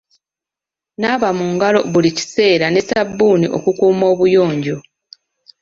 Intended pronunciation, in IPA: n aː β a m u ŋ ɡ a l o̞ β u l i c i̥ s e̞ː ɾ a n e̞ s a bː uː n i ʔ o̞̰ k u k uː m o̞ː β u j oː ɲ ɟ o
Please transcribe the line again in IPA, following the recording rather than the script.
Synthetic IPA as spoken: n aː β a m u ŋ ɡ a l o̞ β u l i c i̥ s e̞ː ɾ a n e̞ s a bː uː n i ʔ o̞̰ k u k uː m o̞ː β u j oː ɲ ɟ o